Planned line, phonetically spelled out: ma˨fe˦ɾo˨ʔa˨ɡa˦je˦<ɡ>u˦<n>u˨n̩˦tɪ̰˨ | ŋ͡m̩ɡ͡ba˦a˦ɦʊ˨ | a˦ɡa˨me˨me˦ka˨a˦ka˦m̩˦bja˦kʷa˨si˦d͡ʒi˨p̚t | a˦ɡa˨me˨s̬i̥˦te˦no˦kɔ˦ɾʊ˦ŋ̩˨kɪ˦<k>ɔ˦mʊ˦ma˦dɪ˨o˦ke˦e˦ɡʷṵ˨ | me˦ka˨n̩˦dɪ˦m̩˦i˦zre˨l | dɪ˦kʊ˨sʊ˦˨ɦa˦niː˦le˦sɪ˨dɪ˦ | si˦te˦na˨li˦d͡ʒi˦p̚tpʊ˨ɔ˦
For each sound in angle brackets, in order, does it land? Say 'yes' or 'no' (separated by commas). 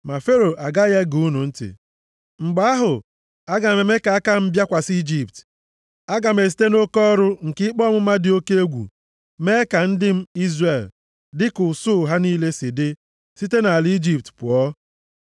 yes, yes, no